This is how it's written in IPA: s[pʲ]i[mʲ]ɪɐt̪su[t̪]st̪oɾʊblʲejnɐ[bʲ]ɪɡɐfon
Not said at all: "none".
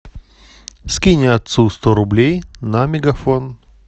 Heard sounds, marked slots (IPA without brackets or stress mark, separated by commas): kʲ, nʲ, none, mʲ